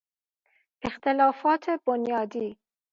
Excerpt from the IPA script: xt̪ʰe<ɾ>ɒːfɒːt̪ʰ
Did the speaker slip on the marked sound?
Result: yes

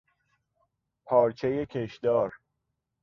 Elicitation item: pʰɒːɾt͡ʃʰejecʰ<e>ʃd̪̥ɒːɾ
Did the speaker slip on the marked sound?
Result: no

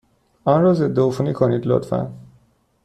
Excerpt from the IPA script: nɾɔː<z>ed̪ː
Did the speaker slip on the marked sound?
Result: no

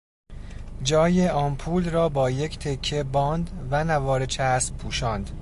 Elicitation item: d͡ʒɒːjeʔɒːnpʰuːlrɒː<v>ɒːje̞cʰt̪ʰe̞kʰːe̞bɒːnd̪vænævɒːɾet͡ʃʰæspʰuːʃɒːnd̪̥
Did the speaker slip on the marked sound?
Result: yes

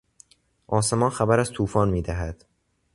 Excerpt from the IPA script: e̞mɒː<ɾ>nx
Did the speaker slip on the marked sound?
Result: yes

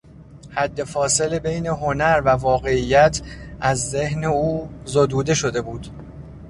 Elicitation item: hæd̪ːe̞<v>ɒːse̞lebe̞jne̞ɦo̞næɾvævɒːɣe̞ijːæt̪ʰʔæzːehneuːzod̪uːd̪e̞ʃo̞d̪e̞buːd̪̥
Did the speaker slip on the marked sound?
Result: yes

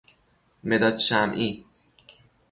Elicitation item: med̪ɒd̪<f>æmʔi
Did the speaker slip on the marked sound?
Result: yes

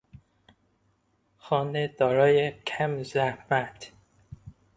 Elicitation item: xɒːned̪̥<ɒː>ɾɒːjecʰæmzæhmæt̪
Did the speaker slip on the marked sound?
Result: no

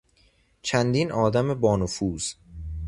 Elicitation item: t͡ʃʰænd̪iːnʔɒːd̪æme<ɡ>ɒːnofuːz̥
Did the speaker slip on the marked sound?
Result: yes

